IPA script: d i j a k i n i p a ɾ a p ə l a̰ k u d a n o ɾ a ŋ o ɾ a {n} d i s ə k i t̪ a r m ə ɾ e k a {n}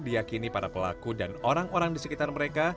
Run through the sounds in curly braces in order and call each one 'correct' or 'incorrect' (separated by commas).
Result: incorrect, incorrect